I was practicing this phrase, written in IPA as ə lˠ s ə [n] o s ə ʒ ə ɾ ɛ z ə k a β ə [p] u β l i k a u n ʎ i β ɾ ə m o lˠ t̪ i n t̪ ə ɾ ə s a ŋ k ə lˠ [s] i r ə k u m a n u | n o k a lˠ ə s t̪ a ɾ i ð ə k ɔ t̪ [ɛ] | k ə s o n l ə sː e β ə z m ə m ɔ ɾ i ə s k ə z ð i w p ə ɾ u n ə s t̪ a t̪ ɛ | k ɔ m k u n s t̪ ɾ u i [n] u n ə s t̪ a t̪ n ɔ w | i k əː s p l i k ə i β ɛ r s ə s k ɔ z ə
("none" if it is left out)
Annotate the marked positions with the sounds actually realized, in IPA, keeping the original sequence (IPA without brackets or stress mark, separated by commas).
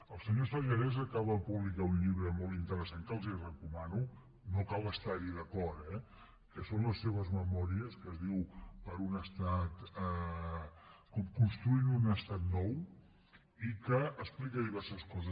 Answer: ɲ, p, z, ɛ, n